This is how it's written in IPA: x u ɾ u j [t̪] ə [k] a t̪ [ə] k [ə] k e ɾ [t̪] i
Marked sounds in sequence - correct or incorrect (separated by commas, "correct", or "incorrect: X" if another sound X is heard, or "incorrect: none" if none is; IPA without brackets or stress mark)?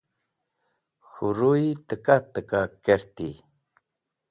correct, correct, correct, incorrect: a, correct